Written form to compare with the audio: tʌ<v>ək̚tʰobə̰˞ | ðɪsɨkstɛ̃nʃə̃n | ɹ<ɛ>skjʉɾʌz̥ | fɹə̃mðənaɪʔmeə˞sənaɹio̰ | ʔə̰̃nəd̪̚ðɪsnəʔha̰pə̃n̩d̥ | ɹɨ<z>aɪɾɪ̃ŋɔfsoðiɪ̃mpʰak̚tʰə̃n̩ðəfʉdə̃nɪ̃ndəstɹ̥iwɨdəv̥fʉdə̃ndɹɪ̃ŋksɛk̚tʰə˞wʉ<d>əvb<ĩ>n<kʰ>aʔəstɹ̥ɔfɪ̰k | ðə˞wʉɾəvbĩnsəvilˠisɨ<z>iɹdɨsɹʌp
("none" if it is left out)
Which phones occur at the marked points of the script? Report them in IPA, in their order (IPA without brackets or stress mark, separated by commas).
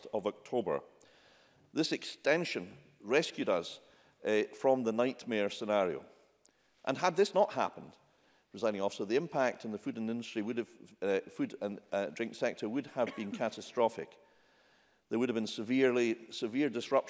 v, ɛ, z, d, ĩ, kʰ, v